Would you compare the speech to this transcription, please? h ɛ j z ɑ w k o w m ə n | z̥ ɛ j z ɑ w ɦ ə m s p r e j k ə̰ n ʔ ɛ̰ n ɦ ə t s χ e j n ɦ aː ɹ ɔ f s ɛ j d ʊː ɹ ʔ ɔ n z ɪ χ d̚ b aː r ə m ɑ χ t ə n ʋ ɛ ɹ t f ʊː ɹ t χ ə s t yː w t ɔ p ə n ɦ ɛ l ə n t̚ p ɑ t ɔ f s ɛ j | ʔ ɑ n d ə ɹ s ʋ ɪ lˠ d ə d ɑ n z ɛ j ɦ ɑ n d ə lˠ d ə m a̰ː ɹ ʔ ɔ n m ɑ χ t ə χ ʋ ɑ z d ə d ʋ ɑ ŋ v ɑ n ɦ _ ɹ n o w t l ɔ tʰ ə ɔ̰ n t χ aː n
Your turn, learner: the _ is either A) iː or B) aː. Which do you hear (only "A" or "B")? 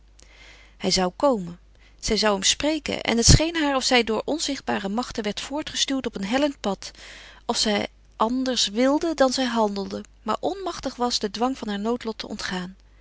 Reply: B